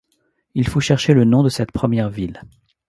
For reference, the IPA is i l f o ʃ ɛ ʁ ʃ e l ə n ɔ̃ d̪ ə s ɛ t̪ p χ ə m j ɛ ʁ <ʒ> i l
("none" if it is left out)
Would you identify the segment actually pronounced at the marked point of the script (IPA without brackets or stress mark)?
v